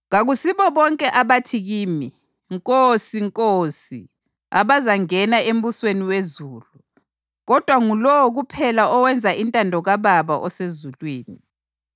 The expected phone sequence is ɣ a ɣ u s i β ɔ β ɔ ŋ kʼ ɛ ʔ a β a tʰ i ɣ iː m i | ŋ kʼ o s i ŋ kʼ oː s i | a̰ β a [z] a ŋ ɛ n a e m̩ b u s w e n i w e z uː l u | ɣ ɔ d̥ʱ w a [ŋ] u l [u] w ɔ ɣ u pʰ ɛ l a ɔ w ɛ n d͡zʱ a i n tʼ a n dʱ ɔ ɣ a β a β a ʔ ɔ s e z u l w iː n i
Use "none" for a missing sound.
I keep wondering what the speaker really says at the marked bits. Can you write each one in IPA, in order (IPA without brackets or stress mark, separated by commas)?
z, ŋ, ɔ